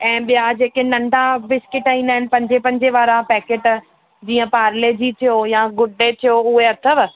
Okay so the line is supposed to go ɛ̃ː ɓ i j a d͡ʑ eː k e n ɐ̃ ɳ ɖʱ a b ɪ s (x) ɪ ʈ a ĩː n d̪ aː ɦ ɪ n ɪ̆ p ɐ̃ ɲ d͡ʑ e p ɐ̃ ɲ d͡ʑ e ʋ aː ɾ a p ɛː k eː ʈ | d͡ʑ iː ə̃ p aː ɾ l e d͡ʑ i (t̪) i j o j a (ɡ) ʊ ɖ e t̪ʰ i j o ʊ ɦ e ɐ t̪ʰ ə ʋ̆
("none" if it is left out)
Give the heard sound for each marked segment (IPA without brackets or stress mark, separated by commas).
k, t̪ʰ, ɡ